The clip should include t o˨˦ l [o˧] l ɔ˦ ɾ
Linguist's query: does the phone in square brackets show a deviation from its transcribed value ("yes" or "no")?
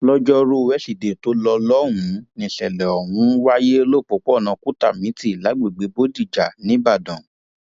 yes